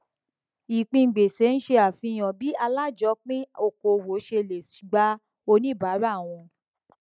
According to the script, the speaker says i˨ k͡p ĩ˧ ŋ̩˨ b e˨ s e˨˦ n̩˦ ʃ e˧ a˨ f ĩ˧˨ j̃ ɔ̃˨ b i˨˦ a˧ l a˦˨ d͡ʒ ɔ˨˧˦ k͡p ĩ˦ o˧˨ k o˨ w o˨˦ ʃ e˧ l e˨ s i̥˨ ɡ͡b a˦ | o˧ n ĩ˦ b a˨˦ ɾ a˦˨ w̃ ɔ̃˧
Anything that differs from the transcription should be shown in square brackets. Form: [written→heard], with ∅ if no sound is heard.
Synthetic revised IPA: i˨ k͡p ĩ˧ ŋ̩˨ [b→ɡ͡b] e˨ s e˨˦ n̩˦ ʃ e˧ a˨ f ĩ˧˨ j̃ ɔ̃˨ b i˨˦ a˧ l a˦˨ d͡ʒ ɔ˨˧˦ k͡p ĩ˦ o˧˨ k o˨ w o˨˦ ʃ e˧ l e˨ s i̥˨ ɡ͡b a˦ | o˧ n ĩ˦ b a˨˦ ɾ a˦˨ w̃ ɔ̃˧